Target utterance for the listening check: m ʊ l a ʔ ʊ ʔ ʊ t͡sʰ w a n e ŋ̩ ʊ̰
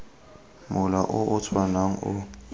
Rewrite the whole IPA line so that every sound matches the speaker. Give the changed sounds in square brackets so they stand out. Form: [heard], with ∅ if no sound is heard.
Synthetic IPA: m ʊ l a ʔ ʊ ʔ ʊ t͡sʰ w a n [a] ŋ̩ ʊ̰